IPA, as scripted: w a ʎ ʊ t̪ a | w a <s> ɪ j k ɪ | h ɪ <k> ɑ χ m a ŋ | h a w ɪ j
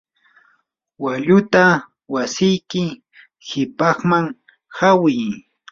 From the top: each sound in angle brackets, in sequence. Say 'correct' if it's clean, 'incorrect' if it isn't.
correct, incorrect: p

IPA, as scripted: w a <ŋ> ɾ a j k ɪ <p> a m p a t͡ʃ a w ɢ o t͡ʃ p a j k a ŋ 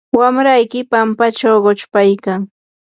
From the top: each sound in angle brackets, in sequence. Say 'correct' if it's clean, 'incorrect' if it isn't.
incorrect: m, correct

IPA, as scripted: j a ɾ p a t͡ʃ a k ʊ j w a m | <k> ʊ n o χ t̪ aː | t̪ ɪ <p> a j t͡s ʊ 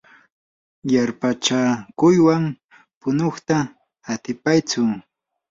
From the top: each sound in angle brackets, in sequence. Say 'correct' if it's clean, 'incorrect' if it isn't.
incorrect: p, correct

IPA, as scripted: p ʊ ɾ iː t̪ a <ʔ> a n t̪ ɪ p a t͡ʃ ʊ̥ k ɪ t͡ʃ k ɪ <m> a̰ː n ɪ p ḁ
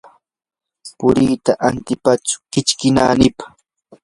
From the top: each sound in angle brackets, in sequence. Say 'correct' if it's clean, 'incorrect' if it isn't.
correct, incorrect: n

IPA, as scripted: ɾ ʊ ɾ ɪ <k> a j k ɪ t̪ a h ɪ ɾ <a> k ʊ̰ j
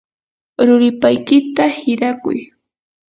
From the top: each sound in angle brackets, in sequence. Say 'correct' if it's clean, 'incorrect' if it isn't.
incorrect: p, correct

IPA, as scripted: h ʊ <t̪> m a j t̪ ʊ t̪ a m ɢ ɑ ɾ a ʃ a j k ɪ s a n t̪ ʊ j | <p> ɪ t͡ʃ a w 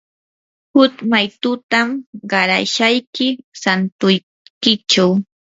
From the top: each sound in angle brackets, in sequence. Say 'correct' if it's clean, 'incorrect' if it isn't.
correct, incorrect: k

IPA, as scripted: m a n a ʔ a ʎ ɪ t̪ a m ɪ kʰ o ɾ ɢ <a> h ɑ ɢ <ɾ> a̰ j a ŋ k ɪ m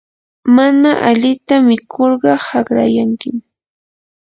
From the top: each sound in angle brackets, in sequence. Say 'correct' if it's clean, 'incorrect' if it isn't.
incorrect: ɑ, correct

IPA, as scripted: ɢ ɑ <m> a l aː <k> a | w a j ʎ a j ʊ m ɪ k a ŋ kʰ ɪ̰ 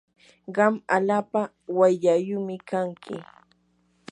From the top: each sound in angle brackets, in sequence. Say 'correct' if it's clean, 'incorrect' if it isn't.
correct, incorrect: p

